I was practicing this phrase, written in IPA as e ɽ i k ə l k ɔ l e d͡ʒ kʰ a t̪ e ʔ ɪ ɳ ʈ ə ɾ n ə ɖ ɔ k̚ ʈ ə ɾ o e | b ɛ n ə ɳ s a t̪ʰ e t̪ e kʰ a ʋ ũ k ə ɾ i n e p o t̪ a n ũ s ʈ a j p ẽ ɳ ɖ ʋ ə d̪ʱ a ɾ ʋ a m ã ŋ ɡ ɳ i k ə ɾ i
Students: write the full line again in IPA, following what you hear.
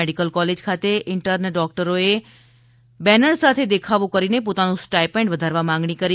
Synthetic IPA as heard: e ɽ i k ə l k ɔ l e d͡ʒ kʰ a t̪ e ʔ ɪ ɳ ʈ ə ɾ n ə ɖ ɔ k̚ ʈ ə ɾ o e | b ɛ n ə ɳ s a t̪ʰ e d̪ e kʰ a ʋ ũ k ə ɾ i n e p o t̪ a n ũ s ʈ a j p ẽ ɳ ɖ ʋ ə d̪ʱ a ɾ ʋ a m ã ŋ ɡ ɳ i k ə ɾ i